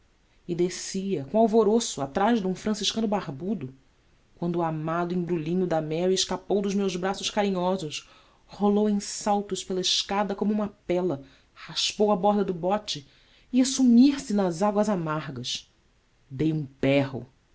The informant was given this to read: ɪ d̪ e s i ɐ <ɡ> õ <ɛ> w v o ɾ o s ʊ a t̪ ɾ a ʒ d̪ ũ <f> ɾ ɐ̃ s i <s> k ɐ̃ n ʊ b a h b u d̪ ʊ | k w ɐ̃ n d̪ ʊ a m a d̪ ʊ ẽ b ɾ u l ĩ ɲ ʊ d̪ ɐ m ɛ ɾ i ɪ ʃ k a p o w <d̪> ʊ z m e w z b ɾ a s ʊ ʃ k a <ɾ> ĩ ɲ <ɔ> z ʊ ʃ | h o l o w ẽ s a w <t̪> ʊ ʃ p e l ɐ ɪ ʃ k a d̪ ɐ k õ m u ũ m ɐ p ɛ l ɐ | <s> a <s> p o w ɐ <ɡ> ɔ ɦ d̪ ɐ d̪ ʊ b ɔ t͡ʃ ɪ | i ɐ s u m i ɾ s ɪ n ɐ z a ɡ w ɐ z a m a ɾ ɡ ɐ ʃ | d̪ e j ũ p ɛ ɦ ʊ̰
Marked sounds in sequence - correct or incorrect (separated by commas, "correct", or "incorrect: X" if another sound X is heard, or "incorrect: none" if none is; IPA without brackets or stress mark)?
incorrect: k, incorrect: a, correct, incorrect: ʃ, correct, correct, correct, correct, incorrect: h, incorrect: ʃ, incorrect: b